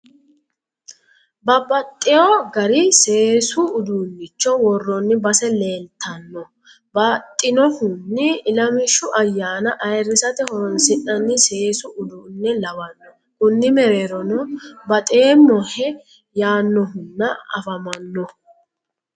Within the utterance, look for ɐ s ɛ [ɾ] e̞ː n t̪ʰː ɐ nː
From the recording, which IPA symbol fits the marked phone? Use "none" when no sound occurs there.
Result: l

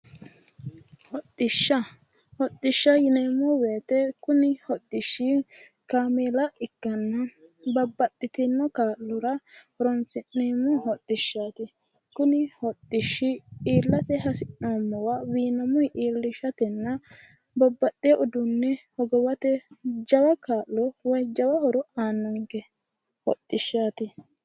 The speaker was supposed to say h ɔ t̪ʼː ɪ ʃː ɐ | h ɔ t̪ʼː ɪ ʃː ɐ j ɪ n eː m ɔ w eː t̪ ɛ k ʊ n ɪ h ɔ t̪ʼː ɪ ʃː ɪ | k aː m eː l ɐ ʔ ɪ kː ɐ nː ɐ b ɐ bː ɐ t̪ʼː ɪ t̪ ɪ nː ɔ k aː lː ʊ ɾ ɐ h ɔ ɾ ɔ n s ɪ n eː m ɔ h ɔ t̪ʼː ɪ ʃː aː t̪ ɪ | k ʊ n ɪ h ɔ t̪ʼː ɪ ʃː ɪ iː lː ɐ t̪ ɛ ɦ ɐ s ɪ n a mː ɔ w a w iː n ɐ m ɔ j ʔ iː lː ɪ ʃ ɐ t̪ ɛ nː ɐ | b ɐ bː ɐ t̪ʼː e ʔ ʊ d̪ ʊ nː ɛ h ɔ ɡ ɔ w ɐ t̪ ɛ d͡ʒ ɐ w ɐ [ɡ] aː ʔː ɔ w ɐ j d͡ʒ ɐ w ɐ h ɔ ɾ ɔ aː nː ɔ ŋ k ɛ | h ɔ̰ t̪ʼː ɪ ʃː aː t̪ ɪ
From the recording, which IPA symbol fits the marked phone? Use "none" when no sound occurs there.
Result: k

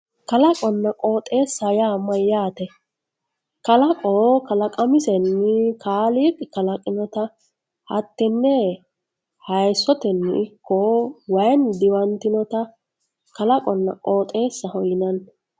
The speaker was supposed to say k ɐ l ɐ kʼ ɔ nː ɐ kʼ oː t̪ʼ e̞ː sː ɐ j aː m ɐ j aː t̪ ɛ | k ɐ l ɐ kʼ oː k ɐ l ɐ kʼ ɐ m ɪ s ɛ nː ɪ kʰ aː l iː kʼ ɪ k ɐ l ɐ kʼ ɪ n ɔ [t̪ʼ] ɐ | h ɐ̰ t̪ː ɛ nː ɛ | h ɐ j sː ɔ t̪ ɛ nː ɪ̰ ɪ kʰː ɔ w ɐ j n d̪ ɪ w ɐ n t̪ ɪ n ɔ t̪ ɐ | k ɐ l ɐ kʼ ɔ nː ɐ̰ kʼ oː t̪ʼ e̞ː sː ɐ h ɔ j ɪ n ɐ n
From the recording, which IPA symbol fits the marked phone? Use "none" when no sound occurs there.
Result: t̪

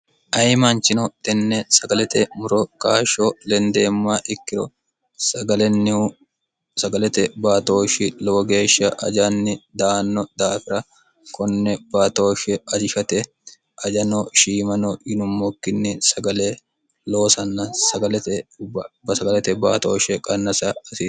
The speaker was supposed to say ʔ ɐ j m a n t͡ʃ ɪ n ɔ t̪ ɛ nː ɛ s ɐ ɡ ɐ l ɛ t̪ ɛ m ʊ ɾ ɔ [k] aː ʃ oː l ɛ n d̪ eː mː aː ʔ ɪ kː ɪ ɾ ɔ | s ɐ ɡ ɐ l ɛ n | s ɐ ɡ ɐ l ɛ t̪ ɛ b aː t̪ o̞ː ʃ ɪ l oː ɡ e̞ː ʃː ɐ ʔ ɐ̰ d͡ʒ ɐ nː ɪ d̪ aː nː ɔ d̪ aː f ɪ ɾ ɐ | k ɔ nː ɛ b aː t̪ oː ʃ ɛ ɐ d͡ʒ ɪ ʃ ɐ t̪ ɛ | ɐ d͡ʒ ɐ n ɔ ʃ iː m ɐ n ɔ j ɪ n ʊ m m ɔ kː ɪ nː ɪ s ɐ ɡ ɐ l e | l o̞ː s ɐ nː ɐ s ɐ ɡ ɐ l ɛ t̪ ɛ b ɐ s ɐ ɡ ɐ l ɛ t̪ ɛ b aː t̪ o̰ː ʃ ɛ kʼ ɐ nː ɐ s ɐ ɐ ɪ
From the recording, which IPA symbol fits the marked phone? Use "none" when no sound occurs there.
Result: k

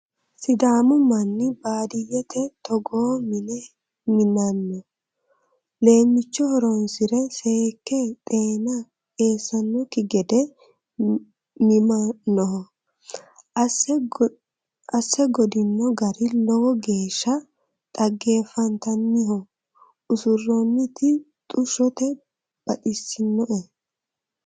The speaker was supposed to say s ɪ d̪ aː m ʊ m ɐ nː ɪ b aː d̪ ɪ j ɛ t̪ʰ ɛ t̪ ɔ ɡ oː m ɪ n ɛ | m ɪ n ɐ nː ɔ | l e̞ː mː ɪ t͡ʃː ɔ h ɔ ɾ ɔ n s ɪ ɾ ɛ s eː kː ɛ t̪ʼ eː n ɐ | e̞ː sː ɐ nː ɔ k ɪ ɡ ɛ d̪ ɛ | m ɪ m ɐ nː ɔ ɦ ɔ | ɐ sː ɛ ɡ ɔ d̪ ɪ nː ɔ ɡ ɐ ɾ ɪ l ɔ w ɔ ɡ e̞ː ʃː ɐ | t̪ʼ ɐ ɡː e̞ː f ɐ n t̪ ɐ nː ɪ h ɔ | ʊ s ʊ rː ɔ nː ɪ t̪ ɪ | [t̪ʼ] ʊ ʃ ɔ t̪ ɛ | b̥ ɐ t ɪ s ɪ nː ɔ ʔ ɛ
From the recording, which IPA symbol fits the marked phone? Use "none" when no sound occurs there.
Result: t̪ʼ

